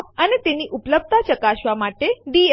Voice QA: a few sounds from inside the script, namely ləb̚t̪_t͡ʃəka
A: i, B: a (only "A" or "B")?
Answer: B